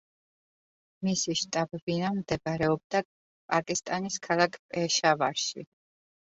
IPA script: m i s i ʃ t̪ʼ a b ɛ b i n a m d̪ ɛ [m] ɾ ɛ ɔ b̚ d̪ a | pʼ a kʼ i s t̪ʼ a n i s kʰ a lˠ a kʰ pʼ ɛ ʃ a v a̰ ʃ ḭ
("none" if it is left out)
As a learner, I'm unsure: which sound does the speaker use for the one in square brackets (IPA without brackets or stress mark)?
b